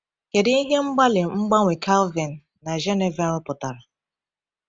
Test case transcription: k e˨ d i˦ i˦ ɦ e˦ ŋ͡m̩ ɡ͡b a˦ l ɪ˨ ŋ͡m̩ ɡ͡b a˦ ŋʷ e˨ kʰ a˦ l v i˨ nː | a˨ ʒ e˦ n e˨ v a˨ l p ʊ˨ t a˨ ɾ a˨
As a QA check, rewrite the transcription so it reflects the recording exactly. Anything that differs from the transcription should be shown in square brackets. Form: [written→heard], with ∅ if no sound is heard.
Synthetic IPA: k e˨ d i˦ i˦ ɦ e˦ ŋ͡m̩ ɡ͡b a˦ l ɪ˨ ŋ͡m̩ ɡ͡b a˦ ŋʷ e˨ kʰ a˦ l v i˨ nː | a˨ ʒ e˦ n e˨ v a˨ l p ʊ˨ t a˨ ɾ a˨